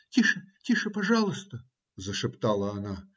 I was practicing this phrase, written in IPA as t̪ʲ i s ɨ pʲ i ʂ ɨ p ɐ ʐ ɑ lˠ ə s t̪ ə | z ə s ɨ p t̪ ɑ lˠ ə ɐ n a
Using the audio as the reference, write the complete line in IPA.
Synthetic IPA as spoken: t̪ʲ i ʂ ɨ tʲ i ʂ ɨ p ɐ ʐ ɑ lˠ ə s t̪ ə | z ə ʂ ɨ p t̪ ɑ lˠ ə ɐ n a